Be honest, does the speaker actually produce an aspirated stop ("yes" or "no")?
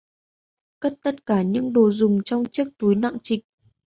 no